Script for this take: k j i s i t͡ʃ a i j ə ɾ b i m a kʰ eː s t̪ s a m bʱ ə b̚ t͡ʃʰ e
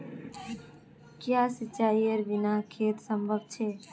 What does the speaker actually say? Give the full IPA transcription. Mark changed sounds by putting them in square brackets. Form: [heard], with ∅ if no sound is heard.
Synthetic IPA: k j [a] s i t͡ʃ a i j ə ɾ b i [n] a kʰ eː [∅] t̪ s [ə] m bʱ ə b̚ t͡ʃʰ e